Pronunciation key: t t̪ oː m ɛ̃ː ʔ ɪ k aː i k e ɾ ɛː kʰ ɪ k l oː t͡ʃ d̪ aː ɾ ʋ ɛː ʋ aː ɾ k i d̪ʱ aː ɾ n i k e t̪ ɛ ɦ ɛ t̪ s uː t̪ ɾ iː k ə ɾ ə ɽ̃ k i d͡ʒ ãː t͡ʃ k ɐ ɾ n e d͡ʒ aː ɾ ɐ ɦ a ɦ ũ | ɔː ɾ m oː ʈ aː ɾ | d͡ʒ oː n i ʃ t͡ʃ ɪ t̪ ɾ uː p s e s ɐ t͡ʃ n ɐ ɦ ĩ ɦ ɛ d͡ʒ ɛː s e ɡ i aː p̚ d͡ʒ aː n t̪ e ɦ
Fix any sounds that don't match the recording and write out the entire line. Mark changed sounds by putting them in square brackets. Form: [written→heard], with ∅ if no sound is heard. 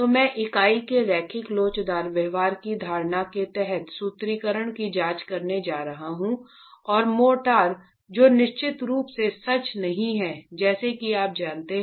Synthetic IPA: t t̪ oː m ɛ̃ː ʔ ɪ k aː i k e ɾ ɛː kʰ ɪ k l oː t͡ʃ d̪ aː ɾ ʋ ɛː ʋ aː ɾ k i d̪ʱ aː ɾ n [i→a] k e t̪ ɛ ɦ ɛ t̪ s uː t̪ ɾ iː k ə ɾ ə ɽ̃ k i d͡ʒ [ãː→aː] t͡ʃ k ɐ ɾ n e d͡ʒ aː ɾ ɐ ɦ a ɦ ũ | ɔː ɾ m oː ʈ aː ɾ | d͡ʒ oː n [i→ɪ] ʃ t͡ʃ ɪ t̪ ɾ uː p s e s ɐ t͡ʃ n ɐ ɦ ĩ ɦ ɛ d͡ʒ ɛː s e [ɡ→k] i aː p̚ d͡ʒ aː n t̪ e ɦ

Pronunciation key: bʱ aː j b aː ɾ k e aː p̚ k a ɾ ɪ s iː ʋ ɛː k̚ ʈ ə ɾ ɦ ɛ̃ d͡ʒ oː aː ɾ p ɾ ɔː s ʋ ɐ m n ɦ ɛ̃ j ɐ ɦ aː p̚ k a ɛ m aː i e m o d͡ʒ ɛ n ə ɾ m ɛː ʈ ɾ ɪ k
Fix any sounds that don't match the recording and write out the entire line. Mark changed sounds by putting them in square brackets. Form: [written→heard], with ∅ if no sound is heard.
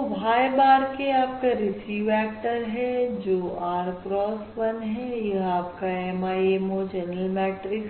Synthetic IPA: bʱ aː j b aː ɾ k e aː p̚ k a ɾ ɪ s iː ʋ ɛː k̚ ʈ ə ɾ ɦ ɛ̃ d͡ʒ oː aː ɾ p ɾ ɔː s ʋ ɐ [m→∅] n ɦ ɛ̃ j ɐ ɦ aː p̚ k a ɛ m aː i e m o d͡ʒ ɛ n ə [ɾ→l] m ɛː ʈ ɾ ɪ k

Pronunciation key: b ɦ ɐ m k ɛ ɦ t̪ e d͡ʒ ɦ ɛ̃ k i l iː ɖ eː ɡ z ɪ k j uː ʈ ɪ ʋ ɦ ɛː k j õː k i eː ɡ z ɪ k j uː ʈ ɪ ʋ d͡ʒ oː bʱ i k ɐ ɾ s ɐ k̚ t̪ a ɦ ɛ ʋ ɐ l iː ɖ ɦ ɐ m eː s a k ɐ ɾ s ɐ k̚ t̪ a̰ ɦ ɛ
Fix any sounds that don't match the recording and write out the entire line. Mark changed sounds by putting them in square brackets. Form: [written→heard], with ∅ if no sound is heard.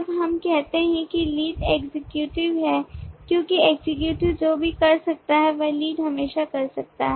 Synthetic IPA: b ɦ ɐ m k ɛ ɦ t̪ e [d͡ʒ→∅] ɦ ɛ̃ k i l iː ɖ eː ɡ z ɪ k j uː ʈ ɪ ʋ ɦ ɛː k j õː k i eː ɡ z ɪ k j uː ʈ ɪ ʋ d͡ʒ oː bʱ i k ɐ ɾ s ɐ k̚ t̪ a ɦ ɛ ʋ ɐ l iː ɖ ɦ ɐ m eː [s→ʃ] a k ɐ ɾ s ɐ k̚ t̪ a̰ ɦ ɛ

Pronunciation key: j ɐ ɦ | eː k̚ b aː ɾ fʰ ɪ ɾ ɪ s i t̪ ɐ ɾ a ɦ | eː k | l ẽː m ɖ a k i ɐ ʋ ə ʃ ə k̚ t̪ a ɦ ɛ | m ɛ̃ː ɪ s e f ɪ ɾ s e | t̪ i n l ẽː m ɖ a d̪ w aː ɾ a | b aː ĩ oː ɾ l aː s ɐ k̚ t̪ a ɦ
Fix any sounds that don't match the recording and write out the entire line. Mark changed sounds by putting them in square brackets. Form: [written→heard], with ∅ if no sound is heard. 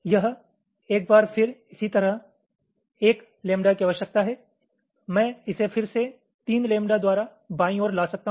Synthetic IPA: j ɐ ɦ | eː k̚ b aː ɾ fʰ ɪ ɾ ɪ s i t̪ ɐ ɾ [a→ə] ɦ | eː k | l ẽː m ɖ a k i ɐ ʋ ə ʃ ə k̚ t̪ a ɦ ɛ | m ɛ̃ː ɪ s e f ɪ ɾ s e | t̪ [i→iː] n l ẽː m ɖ a d̪ w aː ɾ a | b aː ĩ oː ɾ l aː s ɐ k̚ t̪ a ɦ

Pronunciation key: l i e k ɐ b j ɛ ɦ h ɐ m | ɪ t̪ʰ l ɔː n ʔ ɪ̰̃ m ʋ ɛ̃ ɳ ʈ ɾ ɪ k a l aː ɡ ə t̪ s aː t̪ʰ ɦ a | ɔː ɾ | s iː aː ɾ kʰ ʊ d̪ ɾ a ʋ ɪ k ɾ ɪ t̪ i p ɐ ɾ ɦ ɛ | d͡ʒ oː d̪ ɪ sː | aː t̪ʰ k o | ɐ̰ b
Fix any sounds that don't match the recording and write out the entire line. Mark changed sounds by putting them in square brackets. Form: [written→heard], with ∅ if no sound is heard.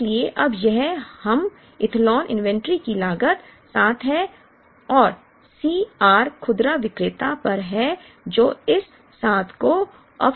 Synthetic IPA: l i e [k→ʔ] ɐ b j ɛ ɦ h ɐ m | ɪ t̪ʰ l ɔː n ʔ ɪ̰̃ [m→n] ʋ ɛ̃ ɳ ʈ ɾ [ɪ→i] k [a→i] l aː ɡ ə t̪ s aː t̪ʰ ɦ [a→ɛ] | ɔː ɾ | s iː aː ɾ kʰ ʊ d̪ ɾ a ʋ ɪ k ɾ ɪ t̪ [i→a] p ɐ ɾ ɦ ɛ | d͡ʒ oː [d̪→∅] ɪ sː | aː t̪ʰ k o | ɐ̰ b

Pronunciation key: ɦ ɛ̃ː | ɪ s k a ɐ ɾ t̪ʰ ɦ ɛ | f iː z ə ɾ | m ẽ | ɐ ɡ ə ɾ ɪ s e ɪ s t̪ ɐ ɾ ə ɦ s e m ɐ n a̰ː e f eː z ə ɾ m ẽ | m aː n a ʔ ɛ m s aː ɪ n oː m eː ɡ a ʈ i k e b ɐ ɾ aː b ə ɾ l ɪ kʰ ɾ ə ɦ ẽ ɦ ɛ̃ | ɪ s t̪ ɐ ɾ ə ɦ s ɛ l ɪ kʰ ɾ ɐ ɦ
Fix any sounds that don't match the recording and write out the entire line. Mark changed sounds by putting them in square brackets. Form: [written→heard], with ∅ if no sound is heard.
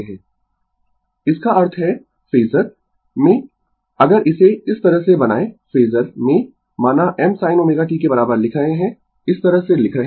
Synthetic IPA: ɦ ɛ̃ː | ɪ s k a ɐ ɾ t̪ʰ ɦ ɛ | f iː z ə ɾ | m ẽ | ɐ ɡ ə ɾ ɪ s e ɪ s t̪ ɐ ɾ ə ɦ s e [m→b] ɐ n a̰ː e f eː z ə ɾ m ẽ | m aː n a ʔ ɛ m s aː ɪ n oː m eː ɡ a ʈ i k e b ɐ ɾ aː b ə ɾ l ɪ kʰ ɾ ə ɦ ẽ ɦ ɛ̃ | ɪ s t̪ ɐ ɾ ə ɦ s [ɛ→e] l ɪ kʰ ɾ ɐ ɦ

